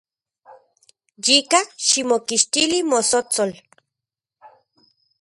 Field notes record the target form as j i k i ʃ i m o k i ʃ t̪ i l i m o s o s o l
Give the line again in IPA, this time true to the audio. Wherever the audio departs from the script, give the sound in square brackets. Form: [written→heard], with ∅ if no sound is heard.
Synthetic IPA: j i k [i→a] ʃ i m o k i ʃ t̪ i l i m o s o [s→t͡s] o l